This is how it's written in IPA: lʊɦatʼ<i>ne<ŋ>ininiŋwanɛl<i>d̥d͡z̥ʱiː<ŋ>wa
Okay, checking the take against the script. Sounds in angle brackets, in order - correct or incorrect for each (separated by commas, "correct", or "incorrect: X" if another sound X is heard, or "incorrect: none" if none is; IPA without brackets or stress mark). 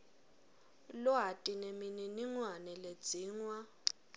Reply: correct, incorrect: m, incorrect: e, correct